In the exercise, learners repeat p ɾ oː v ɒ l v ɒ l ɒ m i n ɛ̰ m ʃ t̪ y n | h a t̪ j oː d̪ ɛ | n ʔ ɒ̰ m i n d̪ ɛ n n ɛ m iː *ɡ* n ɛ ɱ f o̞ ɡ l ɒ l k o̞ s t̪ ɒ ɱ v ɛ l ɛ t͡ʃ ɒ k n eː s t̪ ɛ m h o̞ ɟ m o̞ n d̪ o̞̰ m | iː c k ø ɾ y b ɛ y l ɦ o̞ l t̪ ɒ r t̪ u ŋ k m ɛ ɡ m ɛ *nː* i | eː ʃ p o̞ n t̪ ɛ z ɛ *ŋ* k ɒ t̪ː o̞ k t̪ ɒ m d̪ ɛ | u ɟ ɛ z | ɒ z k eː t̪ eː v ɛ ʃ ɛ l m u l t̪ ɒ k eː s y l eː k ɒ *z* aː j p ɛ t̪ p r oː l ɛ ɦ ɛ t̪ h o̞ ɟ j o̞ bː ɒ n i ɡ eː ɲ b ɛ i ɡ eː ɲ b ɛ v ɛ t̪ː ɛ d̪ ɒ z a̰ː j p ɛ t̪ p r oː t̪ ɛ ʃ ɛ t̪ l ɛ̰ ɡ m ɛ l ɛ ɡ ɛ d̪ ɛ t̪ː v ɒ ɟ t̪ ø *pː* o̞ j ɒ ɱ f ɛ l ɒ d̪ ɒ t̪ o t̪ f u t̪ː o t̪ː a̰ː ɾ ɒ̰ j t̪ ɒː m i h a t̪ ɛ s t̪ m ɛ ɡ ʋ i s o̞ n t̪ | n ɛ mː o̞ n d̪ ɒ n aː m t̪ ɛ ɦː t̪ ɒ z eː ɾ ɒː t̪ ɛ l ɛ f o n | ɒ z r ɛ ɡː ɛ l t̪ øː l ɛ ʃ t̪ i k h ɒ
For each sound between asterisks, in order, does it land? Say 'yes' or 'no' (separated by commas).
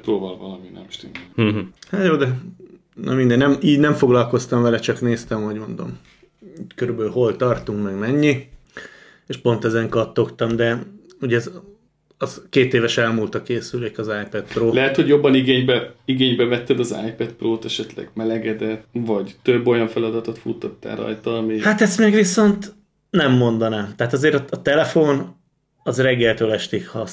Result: no, no, yes, yes, no